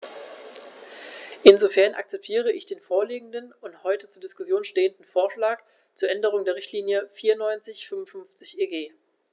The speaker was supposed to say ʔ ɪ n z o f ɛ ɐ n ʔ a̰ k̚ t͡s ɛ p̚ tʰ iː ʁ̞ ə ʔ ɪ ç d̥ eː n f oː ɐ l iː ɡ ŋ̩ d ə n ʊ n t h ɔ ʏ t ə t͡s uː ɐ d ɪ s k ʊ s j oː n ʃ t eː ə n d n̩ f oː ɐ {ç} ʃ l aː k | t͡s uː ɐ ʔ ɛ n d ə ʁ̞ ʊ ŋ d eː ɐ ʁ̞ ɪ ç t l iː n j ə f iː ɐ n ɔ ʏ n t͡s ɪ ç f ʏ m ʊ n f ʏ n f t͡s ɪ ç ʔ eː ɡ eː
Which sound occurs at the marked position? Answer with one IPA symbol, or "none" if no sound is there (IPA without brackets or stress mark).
none